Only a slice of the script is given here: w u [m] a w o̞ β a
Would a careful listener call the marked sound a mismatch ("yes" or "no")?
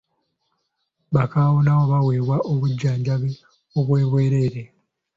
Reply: yes